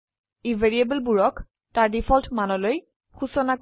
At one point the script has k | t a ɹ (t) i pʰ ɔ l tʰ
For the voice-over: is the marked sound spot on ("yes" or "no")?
no